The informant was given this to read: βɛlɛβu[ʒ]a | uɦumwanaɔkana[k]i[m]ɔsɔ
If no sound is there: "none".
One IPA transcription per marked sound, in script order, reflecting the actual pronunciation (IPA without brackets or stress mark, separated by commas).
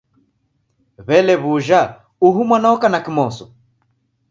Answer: ʒ, k, m